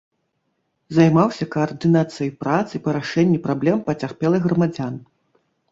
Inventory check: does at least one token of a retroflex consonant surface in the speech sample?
yes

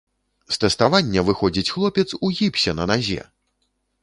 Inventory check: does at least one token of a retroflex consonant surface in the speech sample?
no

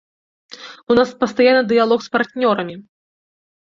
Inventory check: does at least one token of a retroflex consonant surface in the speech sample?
no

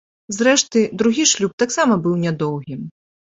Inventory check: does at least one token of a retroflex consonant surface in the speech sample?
yes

